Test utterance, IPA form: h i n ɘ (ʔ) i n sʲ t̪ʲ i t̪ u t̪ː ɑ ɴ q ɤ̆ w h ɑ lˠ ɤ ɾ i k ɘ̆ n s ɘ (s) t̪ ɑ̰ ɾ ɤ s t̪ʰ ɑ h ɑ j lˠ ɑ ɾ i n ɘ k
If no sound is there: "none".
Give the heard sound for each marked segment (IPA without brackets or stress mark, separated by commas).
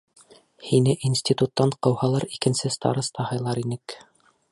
ʔ, s